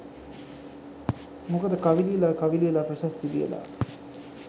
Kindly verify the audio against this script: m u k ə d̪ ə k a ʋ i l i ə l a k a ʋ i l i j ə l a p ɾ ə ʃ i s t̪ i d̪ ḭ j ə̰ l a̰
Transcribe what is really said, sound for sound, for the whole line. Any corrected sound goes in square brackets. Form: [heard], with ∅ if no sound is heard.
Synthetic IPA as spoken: m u k ə d̪ ə k a ʋ i l i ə l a k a ʋ i l i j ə l a p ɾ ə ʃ [a] s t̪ i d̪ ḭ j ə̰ l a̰